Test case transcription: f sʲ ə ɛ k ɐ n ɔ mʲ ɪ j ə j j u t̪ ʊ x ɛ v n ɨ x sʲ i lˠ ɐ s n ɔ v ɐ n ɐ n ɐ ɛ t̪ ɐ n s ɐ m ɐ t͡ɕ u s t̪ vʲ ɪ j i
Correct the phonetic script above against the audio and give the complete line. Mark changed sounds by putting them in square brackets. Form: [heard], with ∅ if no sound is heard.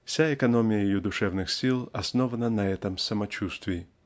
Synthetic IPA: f sʲ [a] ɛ k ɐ n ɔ mʲ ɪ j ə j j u [d̪] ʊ [ʂ] ɛ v n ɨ x sʲ i lˠ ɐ s n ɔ v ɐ n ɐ n ɐ ɛ t̪ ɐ [m] s ɐ m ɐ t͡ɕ u s t̪ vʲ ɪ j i